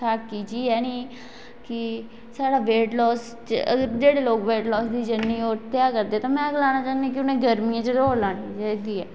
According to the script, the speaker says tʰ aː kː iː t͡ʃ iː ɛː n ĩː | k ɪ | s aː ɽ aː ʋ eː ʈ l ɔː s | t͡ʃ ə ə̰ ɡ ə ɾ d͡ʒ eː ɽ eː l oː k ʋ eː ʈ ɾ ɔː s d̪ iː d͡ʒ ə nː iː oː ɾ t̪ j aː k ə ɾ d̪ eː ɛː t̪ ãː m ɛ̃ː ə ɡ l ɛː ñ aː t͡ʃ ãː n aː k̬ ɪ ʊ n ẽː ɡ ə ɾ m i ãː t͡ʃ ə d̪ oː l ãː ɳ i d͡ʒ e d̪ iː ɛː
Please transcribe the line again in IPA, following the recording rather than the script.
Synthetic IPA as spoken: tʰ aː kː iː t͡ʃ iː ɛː n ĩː | k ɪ | s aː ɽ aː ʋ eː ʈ l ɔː s | t͡ʃ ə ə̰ ɡ ə ɾ d͡ʒ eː ɽ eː l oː k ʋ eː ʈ l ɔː s d̪ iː d͡ʒ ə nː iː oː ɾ t̪ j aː k ə ɾ d̪ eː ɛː t̪ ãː m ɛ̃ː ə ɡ l aː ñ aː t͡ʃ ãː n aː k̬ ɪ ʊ n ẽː ɡ ə ɾ m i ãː t͡ʃ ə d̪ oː l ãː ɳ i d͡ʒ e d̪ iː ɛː